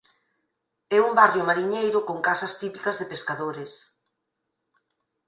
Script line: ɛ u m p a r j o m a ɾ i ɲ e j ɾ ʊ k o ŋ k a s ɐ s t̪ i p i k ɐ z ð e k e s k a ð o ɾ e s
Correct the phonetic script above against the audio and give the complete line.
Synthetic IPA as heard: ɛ u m b a r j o m a ɾ i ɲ e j ɾ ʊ k o ŋ k a s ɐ s t̪ i p i k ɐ z ð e p e s k a ð o ɾ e s